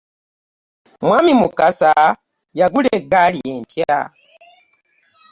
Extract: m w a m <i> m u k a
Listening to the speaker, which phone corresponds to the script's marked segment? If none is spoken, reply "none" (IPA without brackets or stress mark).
i